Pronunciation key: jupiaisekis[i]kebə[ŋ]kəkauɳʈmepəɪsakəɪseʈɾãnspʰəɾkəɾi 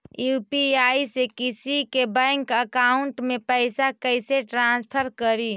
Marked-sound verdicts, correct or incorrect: correct, correct

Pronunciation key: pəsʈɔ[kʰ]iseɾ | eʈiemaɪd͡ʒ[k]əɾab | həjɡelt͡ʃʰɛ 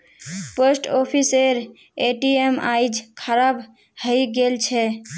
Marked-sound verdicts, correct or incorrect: incorrect, incorrect

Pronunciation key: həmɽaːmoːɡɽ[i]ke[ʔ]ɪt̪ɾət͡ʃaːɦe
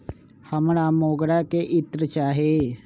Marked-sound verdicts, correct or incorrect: incorrect, correct

